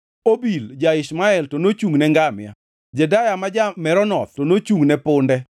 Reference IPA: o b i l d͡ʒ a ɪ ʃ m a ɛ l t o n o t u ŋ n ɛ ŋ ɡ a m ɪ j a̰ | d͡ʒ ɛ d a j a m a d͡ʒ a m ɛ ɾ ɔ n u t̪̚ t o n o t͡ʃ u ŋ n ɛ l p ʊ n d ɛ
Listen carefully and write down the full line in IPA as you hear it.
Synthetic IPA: o b i l d͡ʒ a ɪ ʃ m a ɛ l t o n o t͡ʃ u ŋ n ɛ ŋ ɡ a m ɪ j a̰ | d͡ʒ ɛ d a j a m a d͡ʒ a m ɛ ɾ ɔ n ɔ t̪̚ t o n o t͡ʃ u ŋ n ɛ p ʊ n d ɛ